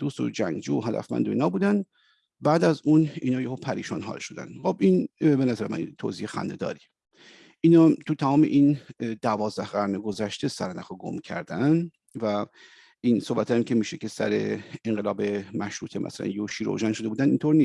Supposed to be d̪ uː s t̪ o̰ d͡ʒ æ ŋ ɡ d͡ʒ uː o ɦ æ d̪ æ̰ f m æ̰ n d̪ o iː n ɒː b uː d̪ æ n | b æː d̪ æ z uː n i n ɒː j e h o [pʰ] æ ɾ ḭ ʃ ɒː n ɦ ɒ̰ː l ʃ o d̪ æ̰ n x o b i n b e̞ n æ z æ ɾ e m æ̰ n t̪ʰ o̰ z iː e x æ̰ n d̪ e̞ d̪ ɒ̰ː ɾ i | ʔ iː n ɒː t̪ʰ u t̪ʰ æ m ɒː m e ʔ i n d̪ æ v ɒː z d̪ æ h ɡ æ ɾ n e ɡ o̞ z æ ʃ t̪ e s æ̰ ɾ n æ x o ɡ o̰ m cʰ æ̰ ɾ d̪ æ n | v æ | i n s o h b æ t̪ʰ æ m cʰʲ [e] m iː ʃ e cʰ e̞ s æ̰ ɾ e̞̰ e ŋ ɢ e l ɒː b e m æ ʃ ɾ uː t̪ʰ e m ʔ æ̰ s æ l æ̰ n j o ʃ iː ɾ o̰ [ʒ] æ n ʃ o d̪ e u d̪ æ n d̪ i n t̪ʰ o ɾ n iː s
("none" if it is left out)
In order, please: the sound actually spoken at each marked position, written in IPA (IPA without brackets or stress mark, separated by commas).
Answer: pʰ, e, ʒ